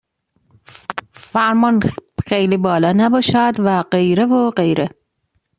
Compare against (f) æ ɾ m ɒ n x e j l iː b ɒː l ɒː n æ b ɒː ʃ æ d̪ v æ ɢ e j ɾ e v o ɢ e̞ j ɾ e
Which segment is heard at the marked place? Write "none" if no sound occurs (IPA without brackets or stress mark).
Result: f